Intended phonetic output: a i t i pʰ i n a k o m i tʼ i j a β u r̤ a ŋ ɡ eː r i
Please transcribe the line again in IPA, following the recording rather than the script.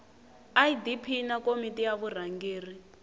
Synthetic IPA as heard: a i d i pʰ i n a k o m i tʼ i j a β u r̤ a ŋ ɡ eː r i